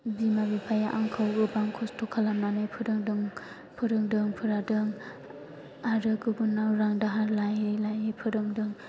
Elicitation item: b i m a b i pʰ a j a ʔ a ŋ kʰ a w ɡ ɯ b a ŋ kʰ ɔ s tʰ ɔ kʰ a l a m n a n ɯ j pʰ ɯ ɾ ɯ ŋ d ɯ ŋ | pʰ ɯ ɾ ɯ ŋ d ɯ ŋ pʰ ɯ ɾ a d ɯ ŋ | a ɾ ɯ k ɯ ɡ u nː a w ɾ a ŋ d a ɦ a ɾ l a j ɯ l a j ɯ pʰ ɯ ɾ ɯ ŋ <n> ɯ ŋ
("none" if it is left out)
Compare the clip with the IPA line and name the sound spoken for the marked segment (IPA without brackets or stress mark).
d